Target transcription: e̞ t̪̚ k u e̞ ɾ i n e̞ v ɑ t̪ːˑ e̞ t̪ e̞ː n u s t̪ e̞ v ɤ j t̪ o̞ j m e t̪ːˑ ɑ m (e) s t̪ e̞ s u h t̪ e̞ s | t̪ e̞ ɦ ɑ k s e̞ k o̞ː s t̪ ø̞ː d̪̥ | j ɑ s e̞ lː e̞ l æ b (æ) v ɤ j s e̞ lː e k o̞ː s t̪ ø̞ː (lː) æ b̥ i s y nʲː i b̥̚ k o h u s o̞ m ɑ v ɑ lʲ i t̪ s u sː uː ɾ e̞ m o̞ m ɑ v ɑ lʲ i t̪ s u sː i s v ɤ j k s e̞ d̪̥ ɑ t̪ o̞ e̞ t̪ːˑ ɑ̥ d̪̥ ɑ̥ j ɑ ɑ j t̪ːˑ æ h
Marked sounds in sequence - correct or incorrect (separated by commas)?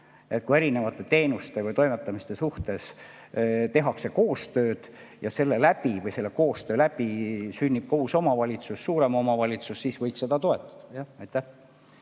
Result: incorrect, incorrect, incorrect